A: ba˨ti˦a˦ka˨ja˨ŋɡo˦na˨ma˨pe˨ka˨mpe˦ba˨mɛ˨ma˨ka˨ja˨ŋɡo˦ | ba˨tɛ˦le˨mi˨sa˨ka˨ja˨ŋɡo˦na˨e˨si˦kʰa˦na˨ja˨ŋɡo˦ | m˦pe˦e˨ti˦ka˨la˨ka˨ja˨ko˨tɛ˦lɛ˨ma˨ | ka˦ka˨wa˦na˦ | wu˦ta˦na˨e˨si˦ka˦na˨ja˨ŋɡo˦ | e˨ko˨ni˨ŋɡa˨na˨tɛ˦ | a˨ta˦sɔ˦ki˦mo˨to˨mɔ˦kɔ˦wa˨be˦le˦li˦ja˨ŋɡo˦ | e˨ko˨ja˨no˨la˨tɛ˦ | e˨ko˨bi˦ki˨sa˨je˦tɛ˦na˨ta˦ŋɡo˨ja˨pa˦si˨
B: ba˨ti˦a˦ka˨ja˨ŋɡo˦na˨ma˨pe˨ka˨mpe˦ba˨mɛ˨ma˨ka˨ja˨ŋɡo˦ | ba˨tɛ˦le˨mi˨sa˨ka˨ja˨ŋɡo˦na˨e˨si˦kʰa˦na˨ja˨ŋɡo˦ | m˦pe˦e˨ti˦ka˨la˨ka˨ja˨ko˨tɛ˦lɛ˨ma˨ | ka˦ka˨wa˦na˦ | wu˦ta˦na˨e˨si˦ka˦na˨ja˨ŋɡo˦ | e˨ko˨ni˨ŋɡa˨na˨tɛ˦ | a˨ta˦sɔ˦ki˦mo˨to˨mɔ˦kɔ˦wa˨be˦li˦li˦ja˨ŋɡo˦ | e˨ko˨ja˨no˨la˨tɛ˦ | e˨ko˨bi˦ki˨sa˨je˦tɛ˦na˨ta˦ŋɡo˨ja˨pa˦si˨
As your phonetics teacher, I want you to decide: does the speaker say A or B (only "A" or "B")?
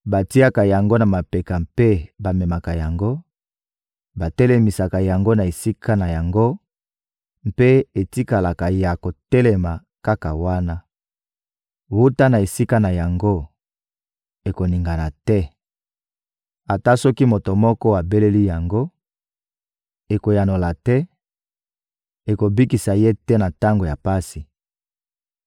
A